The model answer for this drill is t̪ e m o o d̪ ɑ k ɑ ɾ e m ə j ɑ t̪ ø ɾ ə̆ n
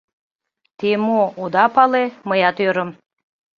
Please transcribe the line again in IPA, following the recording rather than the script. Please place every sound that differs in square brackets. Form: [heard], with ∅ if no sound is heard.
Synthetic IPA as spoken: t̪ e m o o d̪ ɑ [p] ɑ [l] e m ə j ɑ t̪ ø ɾ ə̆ [m]